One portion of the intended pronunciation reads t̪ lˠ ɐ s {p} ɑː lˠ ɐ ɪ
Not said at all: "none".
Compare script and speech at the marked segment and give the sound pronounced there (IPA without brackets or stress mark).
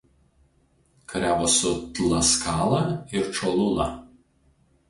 k